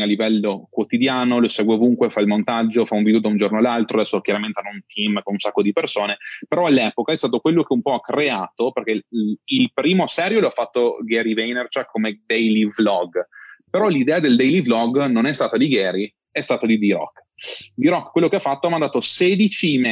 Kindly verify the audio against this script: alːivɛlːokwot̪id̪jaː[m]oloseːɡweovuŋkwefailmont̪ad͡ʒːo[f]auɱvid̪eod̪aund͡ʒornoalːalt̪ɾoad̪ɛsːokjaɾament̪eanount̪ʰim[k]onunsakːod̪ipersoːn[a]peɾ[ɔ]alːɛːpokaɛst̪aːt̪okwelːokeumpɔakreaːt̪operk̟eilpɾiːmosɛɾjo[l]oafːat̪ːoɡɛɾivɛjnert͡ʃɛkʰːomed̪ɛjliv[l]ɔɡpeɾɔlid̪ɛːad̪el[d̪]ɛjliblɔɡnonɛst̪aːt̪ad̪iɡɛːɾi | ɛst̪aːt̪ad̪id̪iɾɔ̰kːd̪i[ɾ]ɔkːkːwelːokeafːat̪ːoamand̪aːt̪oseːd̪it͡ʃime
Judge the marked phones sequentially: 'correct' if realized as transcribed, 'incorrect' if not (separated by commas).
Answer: incorrect, correct, correct, incorrect, correct, correct, correct, correct, correct